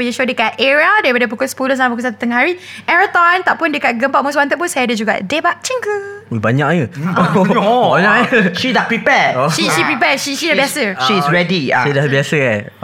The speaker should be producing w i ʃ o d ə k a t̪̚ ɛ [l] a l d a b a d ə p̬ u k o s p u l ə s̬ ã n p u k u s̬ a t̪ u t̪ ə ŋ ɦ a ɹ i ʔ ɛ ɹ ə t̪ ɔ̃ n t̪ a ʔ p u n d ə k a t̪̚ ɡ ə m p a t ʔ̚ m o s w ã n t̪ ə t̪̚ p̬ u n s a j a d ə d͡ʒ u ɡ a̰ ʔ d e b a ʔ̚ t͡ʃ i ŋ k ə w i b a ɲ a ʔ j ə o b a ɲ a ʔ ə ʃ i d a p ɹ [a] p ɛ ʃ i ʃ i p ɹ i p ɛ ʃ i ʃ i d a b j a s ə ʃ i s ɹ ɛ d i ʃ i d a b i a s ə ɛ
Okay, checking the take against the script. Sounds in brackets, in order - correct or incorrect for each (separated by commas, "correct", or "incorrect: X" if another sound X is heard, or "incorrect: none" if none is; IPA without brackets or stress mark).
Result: incorrect: ɹ, incorrect: i